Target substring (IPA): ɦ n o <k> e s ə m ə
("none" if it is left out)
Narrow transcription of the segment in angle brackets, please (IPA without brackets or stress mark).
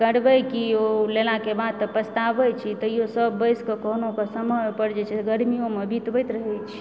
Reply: k